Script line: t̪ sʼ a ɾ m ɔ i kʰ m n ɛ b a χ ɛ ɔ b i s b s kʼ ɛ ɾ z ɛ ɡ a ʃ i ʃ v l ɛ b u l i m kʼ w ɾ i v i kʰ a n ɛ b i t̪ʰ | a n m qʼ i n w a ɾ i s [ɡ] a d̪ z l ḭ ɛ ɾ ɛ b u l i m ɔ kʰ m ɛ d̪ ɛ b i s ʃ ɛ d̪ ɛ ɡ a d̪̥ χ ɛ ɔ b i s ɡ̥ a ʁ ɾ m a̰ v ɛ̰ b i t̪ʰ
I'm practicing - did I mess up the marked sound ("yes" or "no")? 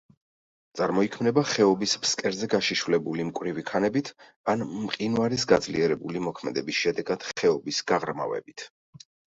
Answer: no